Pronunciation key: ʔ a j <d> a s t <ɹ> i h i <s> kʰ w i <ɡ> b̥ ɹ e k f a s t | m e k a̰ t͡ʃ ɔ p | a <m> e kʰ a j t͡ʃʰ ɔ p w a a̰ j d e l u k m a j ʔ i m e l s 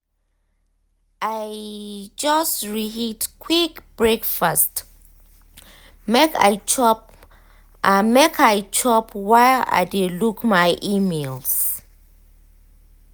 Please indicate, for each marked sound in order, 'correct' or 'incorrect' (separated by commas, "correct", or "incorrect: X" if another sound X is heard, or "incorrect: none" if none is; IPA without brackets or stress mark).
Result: incorrect: d͡ʒ, correct, incorrect: t, incorrect: k, correct